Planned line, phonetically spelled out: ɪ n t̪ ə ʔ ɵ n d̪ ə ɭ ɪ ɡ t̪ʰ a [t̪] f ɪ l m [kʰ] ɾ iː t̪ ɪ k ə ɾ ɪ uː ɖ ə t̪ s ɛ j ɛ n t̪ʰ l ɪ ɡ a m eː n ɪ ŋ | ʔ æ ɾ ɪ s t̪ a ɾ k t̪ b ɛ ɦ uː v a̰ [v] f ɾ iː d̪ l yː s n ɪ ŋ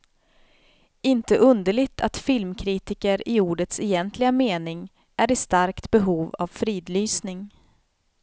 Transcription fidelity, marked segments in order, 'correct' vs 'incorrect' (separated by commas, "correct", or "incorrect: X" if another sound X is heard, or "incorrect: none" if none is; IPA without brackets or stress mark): correct, correct, correct